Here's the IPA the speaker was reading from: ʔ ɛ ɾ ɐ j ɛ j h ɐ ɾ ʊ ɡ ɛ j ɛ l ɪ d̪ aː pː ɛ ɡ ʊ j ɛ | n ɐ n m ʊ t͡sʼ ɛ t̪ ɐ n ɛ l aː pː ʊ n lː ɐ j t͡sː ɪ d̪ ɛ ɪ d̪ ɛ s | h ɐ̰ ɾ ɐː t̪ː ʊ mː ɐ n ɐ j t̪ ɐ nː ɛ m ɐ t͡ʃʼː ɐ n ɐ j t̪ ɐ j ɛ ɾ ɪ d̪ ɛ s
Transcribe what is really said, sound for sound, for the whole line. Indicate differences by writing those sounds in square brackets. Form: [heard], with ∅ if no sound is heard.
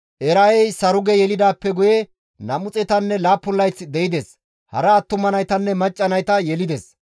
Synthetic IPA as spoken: ʔ ɛ ɾ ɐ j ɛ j [s] ɐ ɾ ʊ ɡ ɛ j ɛ l ɪ d̪ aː pː ɛ ɡ ʊ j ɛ | n ɐ [∅] m ʊ t͡sʼ ɛ t̪ ɐ [nː] ɛ l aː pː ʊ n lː ɐ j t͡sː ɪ d̪ ɛ ɪ d̪ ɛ s | h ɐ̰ ɾ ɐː t̪ː ʊ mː ɐ n ɐ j t̪ ɐ nː ɛ m ɐ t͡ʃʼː ɐ n ɐ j t̪ ɐ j ɛ [l] ɪ d̪ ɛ s